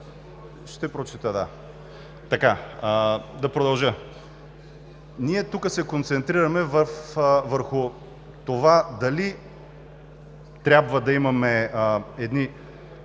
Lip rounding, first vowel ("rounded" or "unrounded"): unrounded